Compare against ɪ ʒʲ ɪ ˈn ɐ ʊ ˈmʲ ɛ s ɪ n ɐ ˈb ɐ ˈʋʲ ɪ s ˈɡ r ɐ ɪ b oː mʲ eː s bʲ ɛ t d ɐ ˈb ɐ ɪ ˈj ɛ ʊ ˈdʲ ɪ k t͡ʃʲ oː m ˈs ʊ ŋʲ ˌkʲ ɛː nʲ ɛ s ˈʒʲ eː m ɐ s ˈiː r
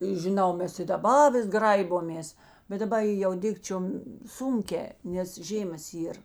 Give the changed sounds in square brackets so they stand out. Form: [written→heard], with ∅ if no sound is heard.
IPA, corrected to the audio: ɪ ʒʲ ɪ ˈn ɐ ʊ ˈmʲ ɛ s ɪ [n→d] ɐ ˈb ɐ ˈʋʲ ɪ s ˈɡ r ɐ ɪ b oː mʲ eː s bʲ ɛ t d ɐ ˈb ɐ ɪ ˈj ɛ ʊ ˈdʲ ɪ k t͡ʃʲ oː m ˈs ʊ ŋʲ ˌkʲ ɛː nʲ ɛ s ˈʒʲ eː m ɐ s ˈiː r